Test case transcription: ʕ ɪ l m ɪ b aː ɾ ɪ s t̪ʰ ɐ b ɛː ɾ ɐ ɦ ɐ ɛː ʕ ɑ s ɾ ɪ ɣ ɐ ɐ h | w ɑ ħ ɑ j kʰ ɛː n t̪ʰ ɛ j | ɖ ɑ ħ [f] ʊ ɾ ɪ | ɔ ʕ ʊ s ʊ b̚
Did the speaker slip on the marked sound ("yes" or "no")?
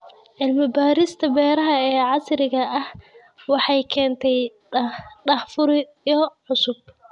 no